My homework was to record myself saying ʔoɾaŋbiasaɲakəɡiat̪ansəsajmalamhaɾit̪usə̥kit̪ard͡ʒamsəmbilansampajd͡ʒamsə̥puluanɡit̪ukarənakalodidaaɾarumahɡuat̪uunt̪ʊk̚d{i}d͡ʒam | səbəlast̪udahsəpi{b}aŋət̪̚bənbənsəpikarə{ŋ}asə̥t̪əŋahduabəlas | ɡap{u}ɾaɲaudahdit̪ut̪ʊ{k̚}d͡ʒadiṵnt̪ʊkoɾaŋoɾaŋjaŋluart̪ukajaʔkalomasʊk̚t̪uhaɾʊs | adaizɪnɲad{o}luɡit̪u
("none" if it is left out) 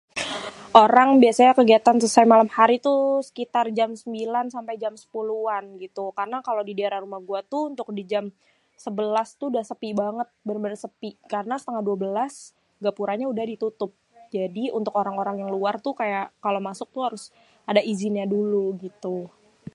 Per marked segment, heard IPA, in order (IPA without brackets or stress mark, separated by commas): i, b, n, u, p̚, u